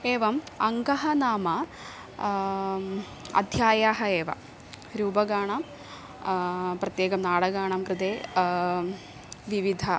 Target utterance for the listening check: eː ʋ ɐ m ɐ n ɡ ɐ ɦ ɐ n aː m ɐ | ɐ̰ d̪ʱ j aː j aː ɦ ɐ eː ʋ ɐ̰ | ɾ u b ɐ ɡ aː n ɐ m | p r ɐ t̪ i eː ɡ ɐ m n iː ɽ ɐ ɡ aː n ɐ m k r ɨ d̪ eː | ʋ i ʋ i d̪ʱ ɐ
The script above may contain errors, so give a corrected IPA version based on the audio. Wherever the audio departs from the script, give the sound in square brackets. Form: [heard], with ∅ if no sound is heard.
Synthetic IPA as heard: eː ʋ ɐ m ɐ [ŋ] ɡ ɐ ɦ ɐ n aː m ɐ | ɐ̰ d̪ʱ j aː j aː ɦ ɐ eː ʋ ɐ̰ | ɾ [uː] b ɐ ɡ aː [ɳ] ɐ m | p r ɐ t̪ [j] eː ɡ ɐ m n [aː] ɽ ɐ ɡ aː [ɳ] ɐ m k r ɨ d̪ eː | ʋ i ʋ i d̪ʱ ɐ